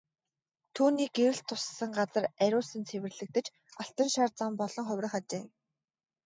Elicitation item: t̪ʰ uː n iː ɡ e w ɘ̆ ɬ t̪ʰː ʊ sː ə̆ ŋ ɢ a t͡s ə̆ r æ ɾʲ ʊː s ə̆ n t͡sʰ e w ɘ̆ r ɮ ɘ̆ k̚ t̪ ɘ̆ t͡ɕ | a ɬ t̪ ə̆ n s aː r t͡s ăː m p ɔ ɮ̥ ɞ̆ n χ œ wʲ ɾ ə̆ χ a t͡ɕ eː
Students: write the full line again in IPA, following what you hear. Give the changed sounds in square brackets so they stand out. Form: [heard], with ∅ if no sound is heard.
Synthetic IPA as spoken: t̪ʰ uː n iː ɡ e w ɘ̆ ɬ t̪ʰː ʊ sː ə̆ ŋ ɢ a t͡s ə̆ r æ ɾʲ ʊː s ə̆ n t͡sʰ e w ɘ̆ r ɮ ɘ̆ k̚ t̪ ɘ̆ t͡ɕ | a ɬ t̪ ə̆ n [ʃ] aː r t͡s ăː m p ɔ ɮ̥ ɞ̆ [ŋ] χ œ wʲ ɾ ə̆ χ a t͡ɕ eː